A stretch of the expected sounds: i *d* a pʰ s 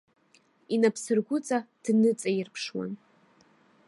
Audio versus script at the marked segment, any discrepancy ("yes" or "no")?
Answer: yes